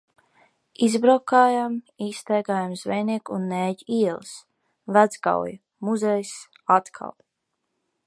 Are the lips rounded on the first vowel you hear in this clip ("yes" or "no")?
no